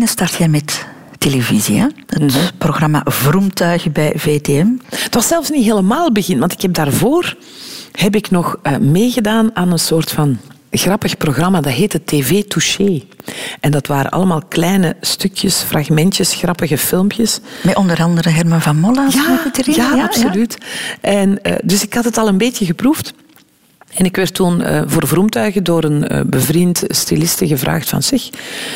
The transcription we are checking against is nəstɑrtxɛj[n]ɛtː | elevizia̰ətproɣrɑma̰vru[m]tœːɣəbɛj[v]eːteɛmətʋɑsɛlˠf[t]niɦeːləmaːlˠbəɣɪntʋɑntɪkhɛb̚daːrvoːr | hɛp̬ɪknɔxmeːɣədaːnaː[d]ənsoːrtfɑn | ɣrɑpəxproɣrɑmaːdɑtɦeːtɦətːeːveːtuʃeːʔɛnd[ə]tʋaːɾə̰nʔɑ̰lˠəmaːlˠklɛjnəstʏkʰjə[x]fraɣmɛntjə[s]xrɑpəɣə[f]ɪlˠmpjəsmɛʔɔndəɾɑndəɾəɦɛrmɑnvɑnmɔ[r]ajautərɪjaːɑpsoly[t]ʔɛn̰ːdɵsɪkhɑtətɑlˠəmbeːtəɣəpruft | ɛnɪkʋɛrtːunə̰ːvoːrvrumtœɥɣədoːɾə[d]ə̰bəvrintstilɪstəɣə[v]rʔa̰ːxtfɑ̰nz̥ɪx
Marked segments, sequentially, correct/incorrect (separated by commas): incorrect, correct, correct, incorrect, incorrect, incorrect, incorrect, correct, correct, incorrect, correct, incorrect, correct